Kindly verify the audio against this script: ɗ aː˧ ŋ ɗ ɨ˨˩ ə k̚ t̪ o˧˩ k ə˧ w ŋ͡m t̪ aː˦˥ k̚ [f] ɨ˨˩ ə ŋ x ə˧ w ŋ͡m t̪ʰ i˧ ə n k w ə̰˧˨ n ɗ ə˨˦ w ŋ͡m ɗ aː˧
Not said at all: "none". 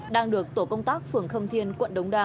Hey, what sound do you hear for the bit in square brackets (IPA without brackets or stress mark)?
f